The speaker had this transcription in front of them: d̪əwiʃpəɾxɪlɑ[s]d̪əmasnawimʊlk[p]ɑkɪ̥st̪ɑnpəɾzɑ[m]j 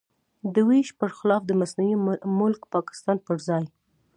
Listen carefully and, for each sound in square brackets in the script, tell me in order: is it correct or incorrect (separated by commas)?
incorrect, correct, incorrect